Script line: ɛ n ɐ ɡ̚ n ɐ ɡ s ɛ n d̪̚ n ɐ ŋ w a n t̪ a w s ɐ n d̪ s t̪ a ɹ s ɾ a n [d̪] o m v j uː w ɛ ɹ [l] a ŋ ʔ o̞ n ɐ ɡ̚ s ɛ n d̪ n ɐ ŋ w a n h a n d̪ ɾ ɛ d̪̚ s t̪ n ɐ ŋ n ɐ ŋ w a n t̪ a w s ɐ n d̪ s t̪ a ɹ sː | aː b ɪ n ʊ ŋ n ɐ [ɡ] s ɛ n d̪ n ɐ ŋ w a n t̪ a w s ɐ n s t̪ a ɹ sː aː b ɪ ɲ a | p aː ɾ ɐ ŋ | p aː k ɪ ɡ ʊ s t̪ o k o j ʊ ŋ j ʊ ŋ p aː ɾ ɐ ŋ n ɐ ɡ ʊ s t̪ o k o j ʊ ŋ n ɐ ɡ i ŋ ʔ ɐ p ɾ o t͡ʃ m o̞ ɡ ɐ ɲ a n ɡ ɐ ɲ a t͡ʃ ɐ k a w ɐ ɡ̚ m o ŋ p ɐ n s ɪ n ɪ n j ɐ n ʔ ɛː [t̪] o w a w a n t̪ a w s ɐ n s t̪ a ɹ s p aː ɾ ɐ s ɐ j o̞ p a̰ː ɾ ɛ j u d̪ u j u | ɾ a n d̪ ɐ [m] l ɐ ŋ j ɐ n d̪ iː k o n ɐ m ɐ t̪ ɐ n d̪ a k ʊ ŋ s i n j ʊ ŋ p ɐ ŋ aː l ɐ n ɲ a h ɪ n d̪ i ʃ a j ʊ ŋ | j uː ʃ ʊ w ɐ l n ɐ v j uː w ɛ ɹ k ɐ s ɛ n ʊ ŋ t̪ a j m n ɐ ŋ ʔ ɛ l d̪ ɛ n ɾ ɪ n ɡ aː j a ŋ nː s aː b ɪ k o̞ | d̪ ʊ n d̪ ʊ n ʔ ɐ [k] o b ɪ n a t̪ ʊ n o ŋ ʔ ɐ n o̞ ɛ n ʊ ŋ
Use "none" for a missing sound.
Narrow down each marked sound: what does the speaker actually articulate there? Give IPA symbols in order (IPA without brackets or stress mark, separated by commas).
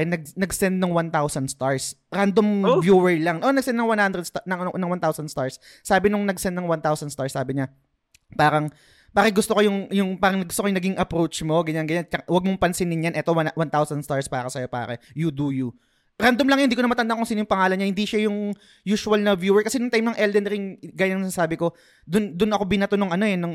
d̪, l, ɡ, t̪, m, k